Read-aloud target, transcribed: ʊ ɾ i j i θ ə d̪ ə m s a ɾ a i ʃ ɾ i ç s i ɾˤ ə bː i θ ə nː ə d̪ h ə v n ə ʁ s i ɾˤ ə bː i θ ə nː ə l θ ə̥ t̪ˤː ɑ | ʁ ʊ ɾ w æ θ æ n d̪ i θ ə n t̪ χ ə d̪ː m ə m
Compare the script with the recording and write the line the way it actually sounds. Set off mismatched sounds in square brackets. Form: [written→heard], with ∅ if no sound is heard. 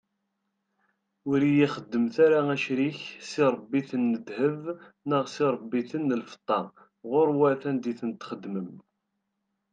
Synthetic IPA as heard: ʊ ɾ i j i [θ→χ] ə [d̪→d̪ː] ə m [s→θ] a ɾ a [i→æ] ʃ ɾ i ç s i ɾˤ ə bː i θ ə nː ə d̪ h ə v n ə ʁ s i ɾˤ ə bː i θ ə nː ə l [θ→f] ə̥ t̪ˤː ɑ | ʁ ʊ ɾ w æ θ æ n d̪ i θ ə n t̪ χ ə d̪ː m ə m